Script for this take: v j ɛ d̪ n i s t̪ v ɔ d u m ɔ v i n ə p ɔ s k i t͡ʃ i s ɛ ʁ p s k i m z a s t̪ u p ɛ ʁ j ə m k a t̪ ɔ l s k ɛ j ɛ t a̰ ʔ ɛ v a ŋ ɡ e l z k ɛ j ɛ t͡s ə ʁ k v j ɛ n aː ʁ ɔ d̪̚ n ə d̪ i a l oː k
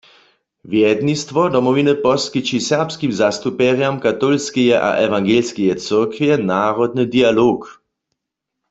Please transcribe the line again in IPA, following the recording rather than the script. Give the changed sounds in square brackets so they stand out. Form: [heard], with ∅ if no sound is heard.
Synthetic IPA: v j ɛ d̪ n i s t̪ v ɔ d [ɔ] m ɔ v i n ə p ɔ s k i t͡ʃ i s ɛ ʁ p s k i m z a s t̪ u p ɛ ʁ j [a] m k a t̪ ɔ l s k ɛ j ɛ [ʔ] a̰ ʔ ɛ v a ŋ ɡ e l [s] k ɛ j ɛ t͡s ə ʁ k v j ɛ n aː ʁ ɔ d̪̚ n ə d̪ i a l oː k